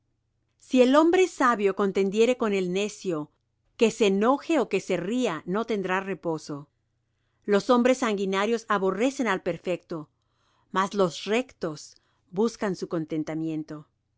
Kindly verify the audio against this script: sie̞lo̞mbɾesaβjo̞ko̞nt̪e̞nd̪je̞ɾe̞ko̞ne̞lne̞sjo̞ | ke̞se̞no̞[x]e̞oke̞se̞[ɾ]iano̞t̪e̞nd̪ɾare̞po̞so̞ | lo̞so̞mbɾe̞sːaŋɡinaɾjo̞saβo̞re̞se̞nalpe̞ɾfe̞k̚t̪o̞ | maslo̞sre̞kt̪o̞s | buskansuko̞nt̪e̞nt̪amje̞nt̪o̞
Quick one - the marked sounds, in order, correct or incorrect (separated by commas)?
correct, incorrect